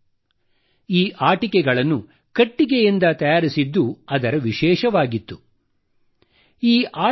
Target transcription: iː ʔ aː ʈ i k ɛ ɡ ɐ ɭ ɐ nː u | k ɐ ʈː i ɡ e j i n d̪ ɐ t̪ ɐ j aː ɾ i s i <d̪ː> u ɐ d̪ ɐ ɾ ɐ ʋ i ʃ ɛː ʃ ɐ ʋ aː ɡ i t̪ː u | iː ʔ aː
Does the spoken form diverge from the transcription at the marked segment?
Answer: no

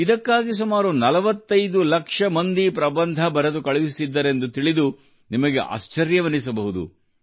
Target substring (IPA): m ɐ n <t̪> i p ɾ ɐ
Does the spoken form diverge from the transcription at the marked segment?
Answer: yes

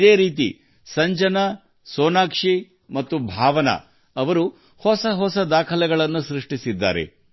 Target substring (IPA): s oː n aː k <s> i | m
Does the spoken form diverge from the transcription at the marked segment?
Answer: yes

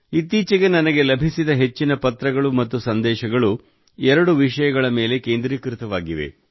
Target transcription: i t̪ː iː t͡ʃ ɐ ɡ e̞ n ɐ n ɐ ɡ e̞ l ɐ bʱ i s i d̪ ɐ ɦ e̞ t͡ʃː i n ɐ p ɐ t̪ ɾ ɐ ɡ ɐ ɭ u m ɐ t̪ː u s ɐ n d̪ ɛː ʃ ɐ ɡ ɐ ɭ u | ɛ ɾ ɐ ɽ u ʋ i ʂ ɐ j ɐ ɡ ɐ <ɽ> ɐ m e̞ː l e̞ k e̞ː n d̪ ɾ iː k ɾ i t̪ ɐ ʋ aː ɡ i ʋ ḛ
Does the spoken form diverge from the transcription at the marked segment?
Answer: yes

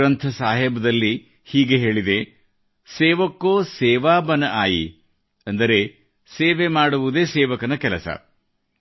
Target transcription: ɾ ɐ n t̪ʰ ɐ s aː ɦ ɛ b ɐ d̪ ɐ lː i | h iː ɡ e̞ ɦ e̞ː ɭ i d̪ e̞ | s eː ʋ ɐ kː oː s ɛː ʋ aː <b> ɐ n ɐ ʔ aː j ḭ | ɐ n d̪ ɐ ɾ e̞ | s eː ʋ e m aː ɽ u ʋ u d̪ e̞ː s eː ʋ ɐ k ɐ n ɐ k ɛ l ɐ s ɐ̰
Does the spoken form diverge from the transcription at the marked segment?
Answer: no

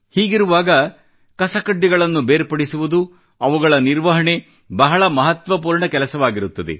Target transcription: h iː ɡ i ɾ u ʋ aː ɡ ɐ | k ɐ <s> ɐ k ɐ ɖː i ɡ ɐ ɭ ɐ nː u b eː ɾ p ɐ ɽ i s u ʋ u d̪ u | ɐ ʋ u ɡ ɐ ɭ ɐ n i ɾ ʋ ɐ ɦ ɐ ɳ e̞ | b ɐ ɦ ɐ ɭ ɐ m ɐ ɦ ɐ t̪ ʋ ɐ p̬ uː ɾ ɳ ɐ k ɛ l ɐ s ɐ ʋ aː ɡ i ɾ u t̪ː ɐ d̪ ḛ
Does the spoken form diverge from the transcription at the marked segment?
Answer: no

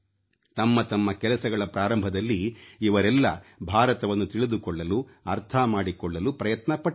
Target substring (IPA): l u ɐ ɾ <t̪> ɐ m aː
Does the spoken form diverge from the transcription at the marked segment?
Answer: yes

